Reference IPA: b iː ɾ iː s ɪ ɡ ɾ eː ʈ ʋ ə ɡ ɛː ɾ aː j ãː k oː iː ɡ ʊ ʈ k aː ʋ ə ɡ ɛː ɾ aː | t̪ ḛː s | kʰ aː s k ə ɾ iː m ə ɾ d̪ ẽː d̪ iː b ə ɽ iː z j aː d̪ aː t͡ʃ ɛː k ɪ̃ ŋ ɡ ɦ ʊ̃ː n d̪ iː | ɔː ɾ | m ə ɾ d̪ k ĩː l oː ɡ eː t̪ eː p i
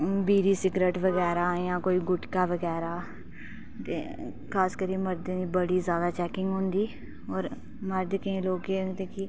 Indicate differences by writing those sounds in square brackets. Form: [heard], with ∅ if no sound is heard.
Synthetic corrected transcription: b iː ɾ iː s ɪ ɡ ɾ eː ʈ ʋ ə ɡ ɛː ɾ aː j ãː k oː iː ɡ ʊ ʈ k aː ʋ ə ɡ ɛː ɾ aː | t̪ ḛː [∅] | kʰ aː s k ə ɾ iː m ə ɾ d̪ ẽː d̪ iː b ə ɽ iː z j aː d̪ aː t͡ʃ ɛː k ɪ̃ ŋ ɡ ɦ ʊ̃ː n d̪ iː | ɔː ɾ | m ə ɾ d̪ k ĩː l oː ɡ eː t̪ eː [k] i